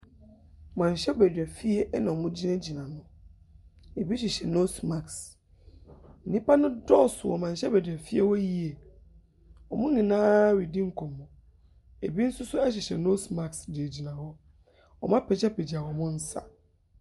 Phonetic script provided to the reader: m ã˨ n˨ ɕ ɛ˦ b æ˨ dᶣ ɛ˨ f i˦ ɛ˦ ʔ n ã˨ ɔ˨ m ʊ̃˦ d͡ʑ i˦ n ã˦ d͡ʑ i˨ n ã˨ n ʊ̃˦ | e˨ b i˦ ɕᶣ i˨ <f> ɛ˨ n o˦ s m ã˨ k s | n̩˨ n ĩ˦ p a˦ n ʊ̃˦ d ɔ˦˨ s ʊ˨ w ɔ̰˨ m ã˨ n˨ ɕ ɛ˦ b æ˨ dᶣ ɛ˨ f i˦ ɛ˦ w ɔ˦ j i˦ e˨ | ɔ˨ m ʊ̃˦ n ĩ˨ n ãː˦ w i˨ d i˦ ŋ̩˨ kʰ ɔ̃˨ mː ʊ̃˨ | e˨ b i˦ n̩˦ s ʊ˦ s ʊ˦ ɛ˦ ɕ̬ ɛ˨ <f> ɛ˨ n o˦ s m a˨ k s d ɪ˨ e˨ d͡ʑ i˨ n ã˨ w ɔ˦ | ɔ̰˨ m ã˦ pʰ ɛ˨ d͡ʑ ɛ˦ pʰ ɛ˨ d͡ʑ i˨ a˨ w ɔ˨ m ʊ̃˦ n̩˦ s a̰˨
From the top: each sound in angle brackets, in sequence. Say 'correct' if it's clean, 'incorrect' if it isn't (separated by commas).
incorrect, incorrect